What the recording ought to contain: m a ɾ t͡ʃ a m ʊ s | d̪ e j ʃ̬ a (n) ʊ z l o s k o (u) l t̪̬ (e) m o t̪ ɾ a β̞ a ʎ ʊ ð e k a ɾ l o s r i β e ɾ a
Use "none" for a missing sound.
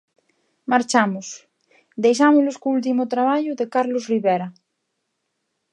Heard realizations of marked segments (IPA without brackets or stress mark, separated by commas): m, u, i